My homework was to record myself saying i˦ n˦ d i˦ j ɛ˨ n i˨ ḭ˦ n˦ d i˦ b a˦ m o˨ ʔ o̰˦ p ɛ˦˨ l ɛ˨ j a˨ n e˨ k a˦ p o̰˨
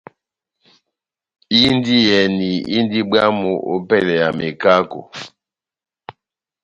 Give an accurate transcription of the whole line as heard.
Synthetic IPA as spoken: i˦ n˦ d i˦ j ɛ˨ n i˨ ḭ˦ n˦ d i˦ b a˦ m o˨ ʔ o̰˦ p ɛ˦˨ l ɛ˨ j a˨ m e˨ k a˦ k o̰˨